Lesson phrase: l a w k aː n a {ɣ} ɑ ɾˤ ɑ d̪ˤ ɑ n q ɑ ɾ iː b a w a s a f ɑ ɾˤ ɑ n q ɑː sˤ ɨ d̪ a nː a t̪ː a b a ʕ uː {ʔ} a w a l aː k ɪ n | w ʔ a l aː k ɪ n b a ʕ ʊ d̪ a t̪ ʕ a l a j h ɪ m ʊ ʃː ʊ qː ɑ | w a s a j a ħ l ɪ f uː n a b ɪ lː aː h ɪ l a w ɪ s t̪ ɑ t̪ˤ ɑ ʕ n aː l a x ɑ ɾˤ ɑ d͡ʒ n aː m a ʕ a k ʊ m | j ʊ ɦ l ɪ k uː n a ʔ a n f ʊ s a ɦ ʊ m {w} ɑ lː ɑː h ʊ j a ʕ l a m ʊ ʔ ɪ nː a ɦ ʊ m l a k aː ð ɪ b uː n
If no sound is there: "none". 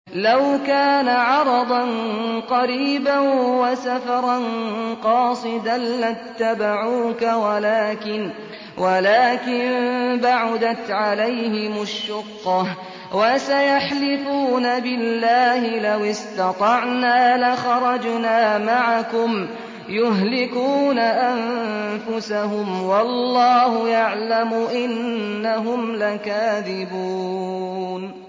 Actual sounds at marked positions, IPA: ʕ, k, w

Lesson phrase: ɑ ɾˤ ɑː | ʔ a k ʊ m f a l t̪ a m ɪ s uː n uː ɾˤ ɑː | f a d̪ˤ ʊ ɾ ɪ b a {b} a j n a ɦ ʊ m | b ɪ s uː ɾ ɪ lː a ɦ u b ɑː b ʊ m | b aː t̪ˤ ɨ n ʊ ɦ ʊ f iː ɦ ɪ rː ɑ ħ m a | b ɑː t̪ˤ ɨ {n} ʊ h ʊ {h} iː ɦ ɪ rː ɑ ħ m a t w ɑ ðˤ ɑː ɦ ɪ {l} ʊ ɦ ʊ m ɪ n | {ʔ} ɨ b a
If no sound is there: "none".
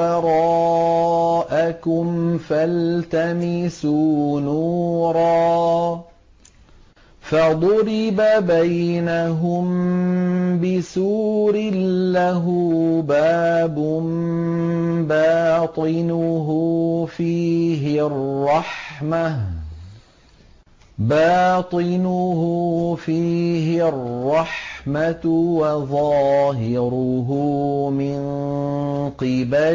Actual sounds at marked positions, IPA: b, n, f, ɾ, q

